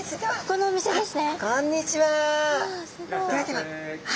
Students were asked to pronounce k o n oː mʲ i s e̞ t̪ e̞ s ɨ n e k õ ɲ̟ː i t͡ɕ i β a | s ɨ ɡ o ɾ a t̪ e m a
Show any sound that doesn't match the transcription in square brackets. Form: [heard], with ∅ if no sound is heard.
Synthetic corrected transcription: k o n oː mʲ i s e̞ [d̪] e̞ s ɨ n e k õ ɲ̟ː i t͡ɕ i β a | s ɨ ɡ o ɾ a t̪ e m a